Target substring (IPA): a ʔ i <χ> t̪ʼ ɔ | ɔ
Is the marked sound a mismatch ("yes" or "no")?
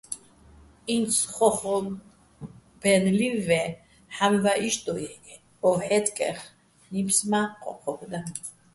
yes